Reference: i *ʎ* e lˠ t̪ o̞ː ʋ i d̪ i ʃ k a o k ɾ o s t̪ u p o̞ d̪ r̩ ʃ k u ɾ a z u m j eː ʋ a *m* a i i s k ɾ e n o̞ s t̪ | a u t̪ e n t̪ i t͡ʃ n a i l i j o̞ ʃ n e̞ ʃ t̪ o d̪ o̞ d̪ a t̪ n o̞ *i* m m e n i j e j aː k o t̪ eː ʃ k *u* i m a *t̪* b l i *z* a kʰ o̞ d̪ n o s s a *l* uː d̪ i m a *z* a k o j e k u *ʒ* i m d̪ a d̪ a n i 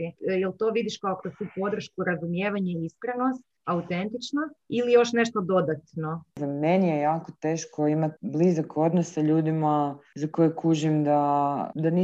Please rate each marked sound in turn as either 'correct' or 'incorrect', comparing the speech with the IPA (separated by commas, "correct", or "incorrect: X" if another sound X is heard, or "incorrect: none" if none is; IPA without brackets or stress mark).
incorrect: j, incorrect: ɲ, incorrect: a, incorrect: o, correct, correct, incorrect: ʎ, correct, correct